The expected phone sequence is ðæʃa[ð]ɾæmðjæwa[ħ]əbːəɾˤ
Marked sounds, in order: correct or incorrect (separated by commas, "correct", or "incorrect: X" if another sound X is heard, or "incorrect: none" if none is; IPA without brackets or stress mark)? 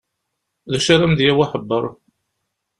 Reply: incorrect: none, correct